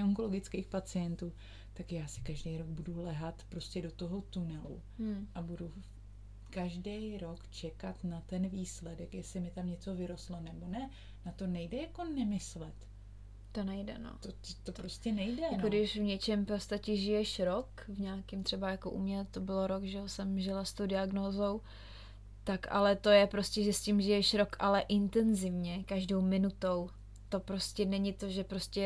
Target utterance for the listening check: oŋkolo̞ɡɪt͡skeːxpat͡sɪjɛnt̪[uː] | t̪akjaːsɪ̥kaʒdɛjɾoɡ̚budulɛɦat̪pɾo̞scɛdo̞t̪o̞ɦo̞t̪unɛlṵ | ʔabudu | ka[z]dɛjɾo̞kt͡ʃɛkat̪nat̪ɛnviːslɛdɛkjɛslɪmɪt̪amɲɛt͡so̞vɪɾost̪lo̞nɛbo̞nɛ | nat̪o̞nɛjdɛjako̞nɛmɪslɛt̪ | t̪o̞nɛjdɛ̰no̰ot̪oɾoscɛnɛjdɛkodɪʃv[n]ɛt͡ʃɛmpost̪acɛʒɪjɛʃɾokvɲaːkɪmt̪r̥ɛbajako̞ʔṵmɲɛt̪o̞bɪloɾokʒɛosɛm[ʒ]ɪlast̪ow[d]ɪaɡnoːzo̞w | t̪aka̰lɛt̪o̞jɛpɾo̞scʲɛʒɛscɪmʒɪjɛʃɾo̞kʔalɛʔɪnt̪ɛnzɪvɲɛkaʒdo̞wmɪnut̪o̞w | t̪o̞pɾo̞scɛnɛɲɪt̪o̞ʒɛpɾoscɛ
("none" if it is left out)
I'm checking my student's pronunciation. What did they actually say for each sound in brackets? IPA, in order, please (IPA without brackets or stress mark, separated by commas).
uː, ʒ, ɲ, ʒ, d